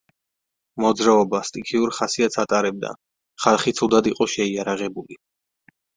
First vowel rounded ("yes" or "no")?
yes